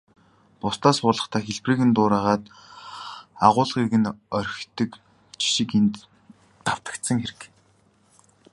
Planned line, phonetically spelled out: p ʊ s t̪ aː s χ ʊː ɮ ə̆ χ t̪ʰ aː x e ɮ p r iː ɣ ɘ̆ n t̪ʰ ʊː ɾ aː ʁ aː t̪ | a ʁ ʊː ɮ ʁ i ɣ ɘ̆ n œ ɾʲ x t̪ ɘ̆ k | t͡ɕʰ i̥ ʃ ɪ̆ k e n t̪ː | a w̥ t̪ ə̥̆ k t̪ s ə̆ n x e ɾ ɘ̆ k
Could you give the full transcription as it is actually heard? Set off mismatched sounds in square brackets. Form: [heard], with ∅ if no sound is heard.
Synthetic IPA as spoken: p ʊ s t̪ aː s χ ʊː ɮ ə̆ χ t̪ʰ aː x e ɮ p r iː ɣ ɘ̆ n [t̪] ʊː ɾ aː ʁ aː t̪ | a ʁ ʊː ɮ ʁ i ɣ ɘ̆ n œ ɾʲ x t̪ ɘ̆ k | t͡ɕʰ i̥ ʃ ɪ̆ k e n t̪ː | a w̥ t̪ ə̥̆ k t̪ s ə̆ [ŋ] x e ɾ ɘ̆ k